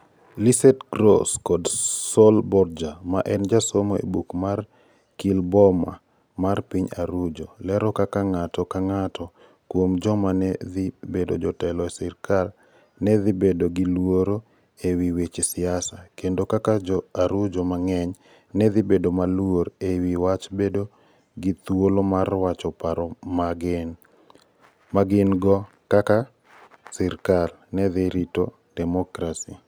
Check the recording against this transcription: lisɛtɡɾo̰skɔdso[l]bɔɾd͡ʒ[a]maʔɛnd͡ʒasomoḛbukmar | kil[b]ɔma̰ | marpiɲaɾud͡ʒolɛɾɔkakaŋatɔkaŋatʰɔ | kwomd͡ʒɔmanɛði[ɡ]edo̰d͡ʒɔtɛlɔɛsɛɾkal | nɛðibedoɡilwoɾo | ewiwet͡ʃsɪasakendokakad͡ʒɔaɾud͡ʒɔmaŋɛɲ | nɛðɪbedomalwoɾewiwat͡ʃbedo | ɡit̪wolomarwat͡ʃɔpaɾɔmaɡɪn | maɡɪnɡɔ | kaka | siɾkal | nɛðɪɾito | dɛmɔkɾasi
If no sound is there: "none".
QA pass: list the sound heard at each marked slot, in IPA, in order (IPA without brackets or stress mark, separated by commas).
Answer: l, a, b, b